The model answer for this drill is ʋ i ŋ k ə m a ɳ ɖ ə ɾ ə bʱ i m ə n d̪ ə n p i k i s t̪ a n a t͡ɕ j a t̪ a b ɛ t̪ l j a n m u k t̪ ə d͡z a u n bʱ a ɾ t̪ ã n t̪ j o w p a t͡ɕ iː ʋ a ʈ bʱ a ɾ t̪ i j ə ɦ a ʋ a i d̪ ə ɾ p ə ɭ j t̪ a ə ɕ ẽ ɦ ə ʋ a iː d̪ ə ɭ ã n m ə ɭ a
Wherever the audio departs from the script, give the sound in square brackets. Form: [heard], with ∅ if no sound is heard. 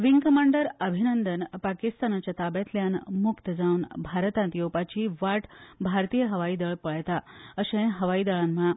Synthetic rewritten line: ʋ i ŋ k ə m a ɳ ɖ ə ɾ ə bʱ i [n] ə n d̪ ə n p [a] k i s t̪ a n a t͡ɕ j a t̪ a b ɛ t̪ l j a n m u k t̪ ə d͡z a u n bʱ a ɾ t̪ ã n t̪ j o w p a t͡ɕ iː ʋ a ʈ bʱ a ɾ t̪ i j ə ɦ [ə] ʋ a i d̪ ə [ɭ] p ə ɭ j t̪ a ə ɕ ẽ ɦ ə ʋ a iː d̪ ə ɭ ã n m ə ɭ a